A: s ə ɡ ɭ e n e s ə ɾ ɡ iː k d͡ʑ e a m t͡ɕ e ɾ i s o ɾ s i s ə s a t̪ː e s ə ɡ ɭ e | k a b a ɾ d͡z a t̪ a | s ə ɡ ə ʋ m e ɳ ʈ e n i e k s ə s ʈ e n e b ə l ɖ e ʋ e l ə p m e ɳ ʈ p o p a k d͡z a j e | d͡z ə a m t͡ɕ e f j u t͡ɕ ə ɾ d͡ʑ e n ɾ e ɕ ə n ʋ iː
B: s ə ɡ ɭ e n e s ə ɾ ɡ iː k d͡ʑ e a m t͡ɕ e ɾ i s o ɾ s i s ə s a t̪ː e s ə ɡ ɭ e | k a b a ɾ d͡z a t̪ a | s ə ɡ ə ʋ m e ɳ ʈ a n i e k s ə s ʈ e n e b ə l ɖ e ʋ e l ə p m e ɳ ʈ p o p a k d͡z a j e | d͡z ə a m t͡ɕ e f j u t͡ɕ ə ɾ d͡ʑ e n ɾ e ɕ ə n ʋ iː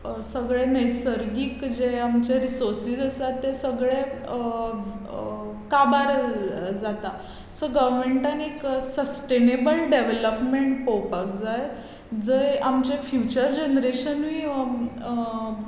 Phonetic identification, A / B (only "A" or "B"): B